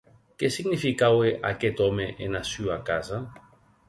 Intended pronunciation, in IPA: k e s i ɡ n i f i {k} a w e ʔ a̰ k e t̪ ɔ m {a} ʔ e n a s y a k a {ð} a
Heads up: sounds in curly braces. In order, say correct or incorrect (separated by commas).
correct, incorrect, incorrect